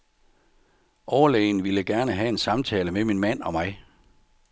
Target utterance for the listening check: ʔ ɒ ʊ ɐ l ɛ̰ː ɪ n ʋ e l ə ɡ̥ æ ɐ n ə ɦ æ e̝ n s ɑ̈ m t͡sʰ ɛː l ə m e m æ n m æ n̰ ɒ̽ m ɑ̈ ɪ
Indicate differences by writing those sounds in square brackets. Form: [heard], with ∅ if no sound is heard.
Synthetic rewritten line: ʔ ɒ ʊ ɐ l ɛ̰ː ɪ n ʋ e l ə ɡ̥ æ ɐ n ə ɦ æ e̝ n s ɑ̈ m t͡sʰ ɛː l ə m e m [i] n m æ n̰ ɒ̽ m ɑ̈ ɪ